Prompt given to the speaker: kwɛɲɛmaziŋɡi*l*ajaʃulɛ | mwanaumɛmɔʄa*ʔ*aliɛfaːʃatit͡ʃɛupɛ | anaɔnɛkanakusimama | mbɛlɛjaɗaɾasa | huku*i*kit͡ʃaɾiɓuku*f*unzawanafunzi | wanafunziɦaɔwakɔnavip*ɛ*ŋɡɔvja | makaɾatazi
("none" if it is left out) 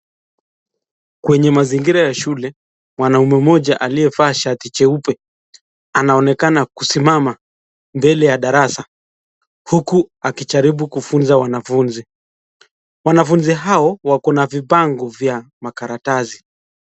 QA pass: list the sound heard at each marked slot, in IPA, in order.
ɾ, ʔ, a, f, a

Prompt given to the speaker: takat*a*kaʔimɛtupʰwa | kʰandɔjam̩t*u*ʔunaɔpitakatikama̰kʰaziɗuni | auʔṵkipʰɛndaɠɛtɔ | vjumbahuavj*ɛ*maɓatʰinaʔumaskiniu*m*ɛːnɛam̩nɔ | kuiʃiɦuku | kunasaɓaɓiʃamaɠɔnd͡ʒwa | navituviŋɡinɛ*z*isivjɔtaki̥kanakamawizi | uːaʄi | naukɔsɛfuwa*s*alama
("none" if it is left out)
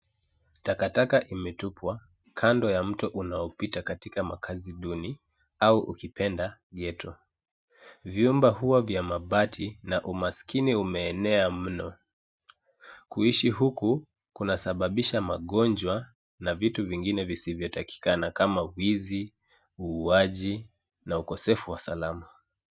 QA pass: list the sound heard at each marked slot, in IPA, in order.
a, ɔ, a, m, v, s

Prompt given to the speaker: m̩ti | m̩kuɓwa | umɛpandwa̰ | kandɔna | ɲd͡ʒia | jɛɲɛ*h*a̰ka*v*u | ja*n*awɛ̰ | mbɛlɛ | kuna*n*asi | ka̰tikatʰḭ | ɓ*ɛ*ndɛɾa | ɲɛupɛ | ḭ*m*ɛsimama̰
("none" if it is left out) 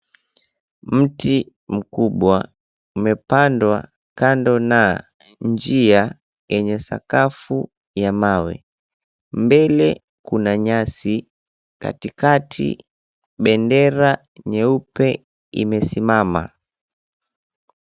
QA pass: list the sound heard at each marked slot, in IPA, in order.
s, f, m, ɲ, ɛ, m

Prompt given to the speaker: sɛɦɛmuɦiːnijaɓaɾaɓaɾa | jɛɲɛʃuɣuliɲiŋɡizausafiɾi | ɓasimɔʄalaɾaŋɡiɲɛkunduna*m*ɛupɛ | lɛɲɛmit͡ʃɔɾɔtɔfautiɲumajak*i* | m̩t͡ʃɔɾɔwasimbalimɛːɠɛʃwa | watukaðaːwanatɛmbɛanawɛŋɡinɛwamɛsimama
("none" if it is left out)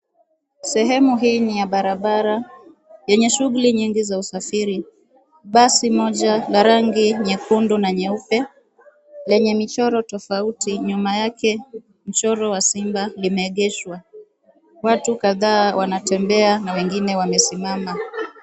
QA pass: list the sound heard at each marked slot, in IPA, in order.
ɲ, ɛ

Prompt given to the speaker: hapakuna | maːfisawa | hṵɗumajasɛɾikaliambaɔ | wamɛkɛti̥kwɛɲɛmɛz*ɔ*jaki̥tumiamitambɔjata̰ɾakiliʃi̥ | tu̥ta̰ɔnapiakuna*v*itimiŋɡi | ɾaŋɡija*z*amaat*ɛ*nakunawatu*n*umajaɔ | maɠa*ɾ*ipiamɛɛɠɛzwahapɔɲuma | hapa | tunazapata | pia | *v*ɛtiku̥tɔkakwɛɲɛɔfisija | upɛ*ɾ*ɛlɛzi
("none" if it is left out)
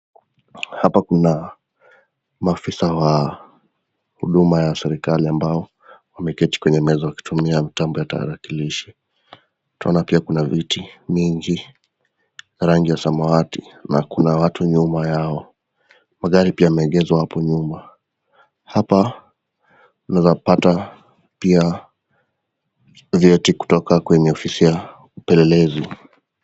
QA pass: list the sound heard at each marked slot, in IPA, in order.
ɔ, v, s, i, ɲ, ɾ, v, l

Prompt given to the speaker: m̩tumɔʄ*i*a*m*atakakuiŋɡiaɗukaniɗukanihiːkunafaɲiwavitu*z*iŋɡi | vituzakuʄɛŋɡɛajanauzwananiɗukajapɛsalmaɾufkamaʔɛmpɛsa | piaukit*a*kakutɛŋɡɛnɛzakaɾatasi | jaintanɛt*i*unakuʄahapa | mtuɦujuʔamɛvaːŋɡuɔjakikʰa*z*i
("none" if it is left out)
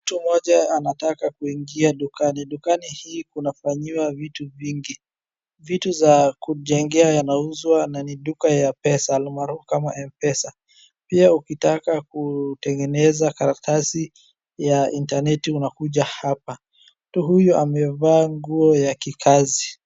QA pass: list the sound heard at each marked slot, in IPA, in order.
a, n, v, a, i, z

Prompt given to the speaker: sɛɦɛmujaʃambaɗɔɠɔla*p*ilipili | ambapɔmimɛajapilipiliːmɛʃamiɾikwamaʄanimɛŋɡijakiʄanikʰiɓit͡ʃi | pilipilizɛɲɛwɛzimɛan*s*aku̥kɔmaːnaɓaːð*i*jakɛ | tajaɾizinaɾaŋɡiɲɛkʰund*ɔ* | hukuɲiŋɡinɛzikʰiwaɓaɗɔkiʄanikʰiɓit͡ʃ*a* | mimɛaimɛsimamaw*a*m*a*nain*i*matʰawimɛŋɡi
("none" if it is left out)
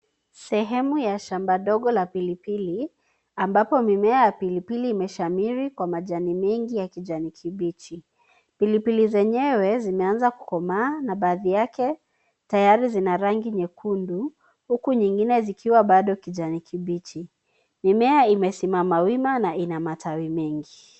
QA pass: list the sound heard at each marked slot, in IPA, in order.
p, z, i, u, i, i, a, a

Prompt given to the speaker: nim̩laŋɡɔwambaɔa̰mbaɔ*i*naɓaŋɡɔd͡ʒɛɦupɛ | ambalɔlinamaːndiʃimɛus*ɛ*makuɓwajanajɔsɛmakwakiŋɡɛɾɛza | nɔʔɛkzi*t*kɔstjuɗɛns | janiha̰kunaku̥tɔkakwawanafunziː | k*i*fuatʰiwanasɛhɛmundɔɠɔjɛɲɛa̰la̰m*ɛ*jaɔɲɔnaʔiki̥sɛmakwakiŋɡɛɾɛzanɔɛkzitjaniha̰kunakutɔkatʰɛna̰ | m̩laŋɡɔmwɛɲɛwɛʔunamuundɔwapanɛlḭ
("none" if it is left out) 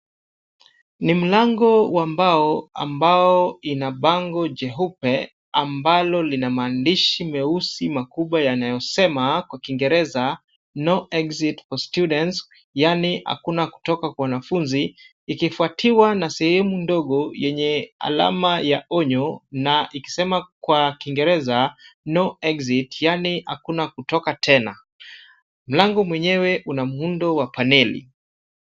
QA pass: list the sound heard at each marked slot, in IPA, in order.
i, i, t, i, a

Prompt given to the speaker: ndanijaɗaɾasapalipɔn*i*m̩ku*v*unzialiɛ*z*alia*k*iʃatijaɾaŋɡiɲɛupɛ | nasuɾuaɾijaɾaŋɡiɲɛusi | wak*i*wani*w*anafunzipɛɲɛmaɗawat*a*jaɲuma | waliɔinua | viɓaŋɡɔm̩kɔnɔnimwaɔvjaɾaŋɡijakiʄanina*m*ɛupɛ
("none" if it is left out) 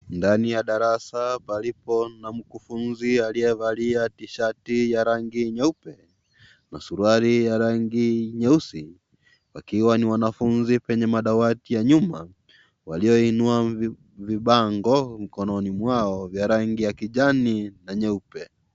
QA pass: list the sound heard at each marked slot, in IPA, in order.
a, f, v, t, i, w, i, ɲ

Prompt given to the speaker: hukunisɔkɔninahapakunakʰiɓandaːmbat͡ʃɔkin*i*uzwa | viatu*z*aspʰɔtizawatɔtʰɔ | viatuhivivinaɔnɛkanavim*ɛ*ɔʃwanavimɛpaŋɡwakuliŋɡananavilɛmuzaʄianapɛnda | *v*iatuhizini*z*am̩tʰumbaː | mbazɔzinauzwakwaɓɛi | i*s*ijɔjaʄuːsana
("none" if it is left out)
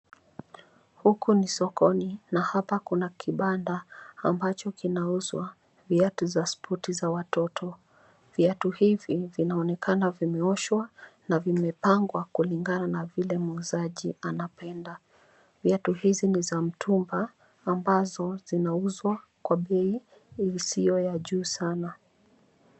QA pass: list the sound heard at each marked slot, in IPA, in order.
a, z, ɛ, v, z, s

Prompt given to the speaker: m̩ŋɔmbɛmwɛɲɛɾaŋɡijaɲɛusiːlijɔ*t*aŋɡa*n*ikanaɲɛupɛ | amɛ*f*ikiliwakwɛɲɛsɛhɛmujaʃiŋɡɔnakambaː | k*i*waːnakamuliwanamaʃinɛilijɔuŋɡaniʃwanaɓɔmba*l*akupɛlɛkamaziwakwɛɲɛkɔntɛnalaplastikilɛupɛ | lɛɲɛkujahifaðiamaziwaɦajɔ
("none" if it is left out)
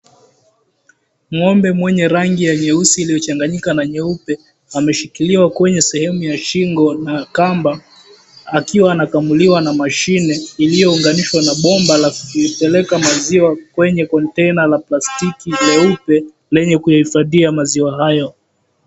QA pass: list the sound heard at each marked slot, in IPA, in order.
t͡ʃ, ɲ, ʃ, i, l

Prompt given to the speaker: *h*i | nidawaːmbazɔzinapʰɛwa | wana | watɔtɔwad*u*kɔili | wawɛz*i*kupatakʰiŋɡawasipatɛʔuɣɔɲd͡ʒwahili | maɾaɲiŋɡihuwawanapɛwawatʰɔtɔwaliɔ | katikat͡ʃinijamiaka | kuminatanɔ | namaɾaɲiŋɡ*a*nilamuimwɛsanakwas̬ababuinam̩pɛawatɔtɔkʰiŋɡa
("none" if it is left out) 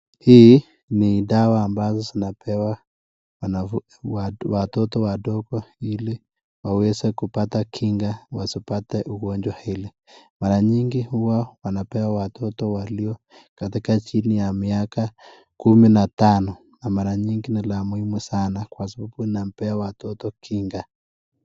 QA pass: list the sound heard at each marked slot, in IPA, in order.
h, ɔ, ɛ, i

